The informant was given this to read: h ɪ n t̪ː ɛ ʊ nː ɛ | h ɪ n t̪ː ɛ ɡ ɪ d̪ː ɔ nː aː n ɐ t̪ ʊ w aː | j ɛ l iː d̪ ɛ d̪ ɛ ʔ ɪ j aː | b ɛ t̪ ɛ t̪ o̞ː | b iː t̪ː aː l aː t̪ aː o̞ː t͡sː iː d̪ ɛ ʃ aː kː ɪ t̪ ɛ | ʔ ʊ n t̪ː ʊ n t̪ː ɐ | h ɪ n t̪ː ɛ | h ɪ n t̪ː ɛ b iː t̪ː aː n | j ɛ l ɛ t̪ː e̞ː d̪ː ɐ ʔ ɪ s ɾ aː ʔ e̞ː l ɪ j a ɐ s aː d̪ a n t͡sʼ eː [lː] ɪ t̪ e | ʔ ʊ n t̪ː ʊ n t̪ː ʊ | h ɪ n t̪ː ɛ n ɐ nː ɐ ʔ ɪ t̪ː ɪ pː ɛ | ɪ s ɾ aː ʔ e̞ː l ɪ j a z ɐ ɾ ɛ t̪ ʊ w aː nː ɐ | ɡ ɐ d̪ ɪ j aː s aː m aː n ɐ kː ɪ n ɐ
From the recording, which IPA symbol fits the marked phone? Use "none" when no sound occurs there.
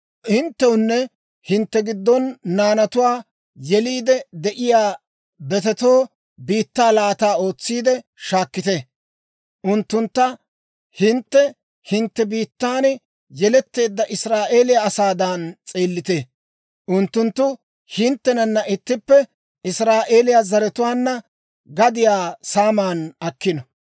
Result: lː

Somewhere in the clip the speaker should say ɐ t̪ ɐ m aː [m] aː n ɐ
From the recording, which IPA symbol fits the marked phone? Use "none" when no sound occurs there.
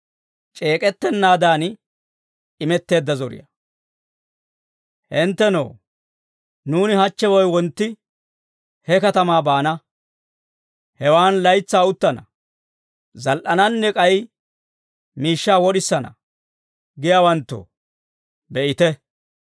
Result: b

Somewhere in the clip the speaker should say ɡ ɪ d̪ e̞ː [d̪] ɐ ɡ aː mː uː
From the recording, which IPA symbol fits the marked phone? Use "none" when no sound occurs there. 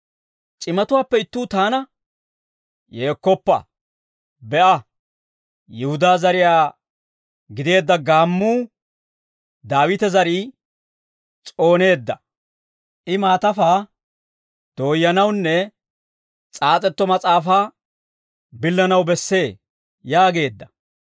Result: d̪ː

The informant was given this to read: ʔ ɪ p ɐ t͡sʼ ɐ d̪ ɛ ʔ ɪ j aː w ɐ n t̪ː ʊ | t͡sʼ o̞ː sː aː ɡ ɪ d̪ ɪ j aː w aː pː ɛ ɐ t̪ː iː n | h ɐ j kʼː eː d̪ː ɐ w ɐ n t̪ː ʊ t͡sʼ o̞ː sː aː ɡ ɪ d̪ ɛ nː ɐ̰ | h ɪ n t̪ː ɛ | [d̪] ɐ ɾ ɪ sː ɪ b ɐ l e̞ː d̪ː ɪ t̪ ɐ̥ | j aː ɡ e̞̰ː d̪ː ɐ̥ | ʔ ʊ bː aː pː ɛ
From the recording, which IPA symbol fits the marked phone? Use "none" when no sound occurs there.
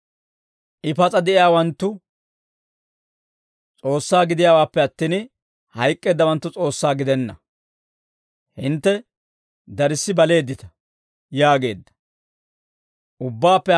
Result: d̪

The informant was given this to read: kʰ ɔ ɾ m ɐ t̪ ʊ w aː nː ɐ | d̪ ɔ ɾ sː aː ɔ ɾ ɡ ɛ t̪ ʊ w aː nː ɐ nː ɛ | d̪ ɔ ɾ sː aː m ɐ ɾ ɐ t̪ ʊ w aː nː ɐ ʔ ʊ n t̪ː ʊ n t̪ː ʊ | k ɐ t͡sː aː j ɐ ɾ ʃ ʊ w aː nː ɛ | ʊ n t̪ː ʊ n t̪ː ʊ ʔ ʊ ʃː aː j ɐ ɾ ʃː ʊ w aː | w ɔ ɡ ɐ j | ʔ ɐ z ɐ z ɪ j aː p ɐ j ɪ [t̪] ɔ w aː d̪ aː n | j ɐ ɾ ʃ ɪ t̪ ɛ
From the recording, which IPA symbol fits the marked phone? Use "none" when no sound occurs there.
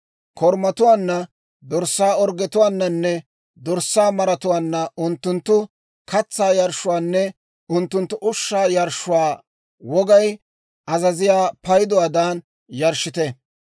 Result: d̪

